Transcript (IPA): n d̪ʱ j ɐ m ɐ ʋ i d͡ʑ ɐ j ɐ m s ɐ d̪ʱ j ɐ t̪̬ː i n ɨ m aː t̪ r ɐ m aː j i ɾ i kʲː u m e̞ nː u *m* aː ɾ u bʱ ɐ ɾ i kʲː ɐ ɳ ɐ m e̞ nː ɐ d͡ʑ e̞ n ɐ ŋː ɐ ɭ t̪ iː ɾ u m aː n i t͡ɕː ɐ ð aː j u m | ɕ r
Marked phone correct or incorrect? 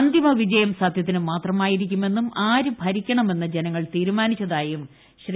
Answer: correct